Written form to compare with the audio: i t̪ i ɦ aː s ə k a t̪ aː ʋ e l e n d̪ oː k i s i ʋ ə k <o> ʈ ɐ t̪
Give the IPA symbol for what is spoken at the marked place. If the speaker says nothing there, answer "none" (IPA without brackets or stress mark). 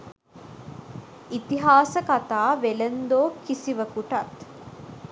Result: u